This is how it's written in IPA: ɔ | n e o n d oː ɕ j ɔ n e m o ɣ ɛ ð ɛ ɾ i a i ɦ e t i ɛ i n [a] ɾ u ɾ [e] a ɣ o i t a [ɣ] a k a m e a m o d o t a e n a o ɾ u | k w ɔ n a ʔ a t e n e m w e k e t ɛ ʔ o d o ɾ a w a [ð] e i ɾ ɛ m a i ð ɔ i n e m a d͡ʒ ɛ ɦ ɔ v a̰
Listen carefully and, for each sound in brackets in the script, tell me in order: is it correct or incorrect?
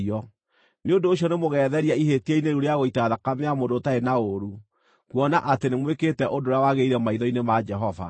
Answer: incorrect, correct, incorrect, incorrect

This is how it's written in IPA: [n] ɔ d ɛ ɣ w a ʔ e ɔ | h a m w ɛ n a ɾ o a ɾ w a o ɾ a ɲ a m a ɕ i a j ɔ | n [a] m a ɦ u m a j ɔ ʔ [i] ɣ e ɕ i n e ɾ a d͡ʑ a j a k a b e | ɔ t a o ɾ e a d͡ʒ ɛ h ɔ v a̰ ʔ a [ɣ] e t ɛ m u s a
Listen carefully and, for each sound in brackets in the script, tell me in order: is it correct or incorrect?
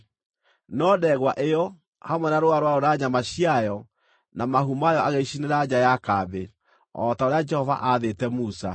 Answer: correct, correct, incorrect, incorrect

